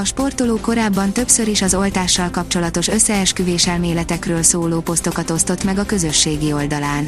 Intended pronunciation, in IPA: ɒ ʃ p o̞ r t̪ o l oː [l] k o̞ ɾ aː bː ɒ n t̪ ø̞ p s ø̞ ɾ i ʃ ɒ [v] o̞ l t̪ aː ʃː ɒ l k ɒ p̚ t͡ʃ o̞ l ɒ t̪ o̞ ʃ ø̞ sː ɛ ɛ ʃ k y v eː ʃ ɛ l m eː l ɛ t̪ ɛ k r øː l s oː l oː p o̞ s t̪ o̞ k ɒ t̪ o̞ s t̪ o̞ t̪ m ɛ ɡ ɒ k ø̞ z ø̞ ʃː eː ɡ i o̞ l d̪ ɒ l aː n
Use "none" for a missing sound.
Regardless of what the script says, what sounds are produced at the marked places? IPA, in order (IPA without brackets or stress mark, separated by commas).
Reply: none, z